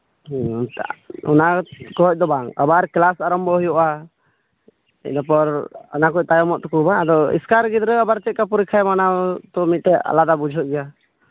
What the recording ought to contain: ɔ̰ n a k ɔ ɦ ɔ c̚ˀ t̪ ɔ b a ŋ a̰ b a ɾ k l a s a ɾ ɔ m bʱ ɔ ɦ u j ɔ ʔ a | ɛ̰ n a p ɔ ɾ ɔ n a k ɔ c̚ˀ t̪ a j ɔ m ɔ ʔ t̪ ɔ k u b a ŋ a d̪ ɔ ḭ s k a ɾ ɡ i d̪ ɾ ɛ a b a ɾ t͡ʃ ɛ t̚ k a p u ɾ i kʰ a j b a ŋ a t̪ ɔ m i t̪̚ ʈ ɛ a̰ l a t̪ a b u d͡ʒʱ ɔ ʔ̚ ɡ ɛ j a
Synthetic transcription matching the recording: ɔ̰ n a k ɔ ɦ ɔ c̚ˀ d̪ ɔ b a ŋ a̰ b a ɾ k l a s a ɾ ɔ m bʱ ɔ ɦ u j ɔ ʔ a | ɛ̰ n a p ɔ ɾ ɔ n a k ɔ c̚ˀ t̪ a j ɔ m ɔ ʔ t̪ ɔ k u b a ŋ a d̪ ɔ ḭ s k a ɾ ɡ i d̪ ɾ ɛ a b a ɾ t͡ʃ ɛ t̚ k a p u ɾ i kʰ a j m a n a t̪ ɔ m i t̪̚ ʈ ɛ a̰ l a d̪ a b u d͡ʒʱ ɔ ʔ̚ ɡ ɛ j a